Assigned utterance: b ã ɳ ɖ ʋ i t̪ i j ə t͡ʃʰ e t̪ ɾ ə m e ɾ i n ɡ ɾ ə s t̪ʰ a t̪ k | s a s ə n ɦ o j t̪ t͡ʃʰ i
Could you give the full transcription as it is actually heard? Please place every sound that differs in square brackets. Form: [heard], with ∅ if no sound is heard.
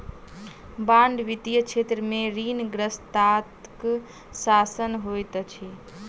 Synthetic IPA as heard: b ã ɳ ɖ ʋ i t̪ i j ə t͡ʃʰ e t̪ ɾ ə m e ɾ i n ɡ ɾ ə s [t̪] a t̪ k | s a s ə n ɦ o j t̪ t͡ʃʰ i